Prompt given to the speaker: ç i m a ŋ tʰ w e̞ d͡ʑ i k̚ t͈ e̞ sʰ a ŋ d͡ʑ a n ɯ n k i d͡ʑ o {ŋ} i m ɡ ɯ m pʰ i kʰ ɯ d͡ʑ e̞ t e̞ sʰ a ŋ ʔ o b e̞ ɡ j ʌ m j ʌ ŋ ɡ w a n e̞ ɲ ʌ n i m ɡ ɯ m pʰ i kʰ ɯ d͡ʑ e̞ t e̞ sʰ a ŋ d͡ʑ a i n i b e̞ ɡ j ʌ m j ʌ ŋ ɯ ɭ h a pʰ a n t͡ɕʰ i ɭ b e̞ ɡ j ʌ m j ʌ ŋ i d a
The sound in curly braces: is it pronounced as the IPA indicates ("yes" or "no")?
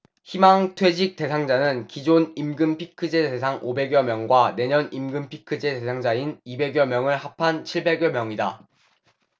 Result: no